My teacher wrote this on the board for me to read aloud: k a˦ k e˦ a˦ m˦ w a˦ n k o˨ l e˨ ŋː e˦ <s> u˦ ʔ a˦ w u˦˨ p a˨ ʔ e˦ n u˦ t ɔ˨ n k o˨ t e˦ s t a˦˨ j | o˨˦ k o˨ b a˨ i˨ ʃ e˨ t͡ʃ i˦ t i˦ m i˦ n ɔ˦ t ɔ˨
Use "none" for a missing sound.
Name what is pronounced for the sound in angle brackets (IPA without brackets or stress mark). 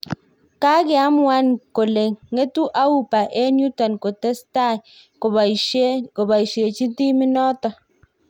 t